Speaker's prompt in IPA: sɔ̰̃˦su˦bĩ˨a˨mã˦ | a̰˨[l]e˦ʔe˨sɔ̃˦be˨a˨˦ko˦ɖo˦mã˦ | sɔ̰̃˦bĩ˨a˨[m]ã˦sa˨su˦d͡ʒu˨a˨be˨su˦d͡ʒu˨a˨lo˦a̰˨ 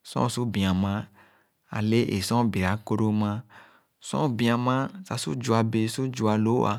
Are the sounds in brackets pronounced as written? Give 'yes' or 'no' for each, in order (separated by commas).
yes, yes